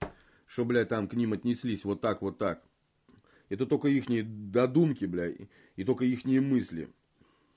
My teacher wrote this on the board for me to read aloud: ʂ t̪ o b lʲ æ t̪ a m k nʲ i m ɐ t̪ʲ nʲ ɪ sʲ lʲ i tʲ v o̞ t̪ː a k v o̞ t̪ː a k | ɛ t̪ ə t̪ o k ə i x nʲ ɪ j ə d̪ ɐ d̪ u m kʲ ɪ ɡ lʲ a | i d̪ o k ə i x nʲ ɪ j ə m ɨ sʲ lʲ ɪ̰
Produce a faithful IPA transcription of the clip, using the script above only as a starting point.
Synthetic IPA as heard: ʂ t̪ o b lʲ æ t̪ a m k nʲ i m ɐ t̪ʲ nʲ ɪ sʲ lʲ i sʲ v o̞ t̪ː a k v o̞ t̪ː a k | ɛ t̪ ə t̪ o k ə i x nʲ ɪ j ə d̪ ɐ d̪ u m kʲ ɪ b lʲ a | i t̪ o k ə i x nʲ ɪ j ə m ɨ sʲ lʲ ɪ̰